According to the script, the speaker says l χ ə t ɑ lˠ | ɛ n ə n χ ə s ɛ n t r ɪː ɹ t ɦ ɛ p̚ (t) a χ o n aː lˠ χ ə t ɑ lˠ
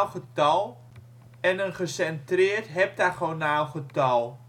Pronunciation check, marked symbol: correct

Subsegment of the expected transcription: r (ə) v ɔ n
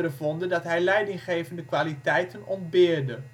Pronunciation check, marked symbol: correct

